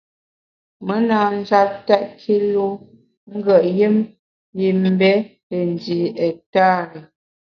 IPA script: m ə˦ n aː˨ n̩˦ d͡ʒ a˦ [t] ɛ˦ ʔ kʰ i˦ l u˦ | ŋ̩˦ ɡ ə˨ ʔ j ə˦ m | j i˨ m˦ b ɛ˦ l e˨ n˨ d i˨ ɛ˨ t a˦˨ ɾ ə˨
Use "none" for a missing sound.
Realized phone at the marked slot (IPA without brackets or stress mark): t